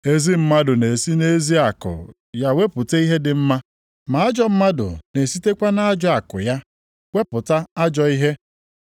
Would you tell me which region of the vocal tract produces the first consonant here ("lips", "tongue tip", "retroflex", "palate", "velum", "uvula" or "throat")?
tongue tip